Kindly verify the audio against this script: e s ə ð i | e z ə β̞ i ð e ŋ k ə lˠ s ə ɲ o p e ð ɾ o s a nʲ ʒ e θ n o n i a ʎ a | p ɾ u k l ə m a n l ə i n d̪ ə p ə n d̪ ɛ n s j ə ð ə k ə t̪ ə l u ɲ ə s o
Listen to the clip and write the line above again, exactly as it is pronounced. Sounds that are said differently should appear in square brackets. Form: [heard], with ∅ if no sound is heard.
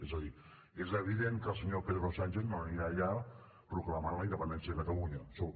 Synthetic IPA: e [z] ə ð i | e z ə β̞ i ð e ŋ k ə lˠ s ə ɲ o p e ð ɾ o s a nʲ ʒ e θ n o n i a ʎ a | p ɾ u k l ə m a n l ə i n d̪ ə p ə n d̪ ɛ n s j ə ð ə k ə t̪ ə l u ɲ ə s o